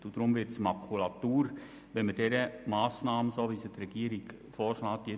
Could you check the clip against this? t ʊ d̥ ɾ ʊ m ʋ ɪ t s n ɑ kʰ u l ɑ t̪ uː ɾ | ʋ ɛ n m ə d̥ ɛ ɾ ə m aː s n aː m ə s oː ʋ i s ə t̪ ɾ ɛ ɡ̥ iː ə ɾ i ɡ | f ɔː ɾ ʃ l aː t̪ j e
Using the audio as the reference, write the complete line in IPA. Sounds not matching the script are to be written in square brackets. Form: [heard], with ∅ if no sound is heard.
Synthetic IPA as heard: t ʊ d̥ ɾ ʊ m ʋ ɪ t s [m] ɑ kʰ u l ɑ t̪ uː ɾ | ʋ ɛ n m ə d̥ ɛ ɾ ə m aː s n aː m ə s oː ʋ i s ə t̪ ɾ ɛ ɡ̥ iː ə ɾ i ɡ | f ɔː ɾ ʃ l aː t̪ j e